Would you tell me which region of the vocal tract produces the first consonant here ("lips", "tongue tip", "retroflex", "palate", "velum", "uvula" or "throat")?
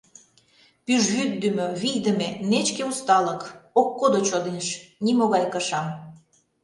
lips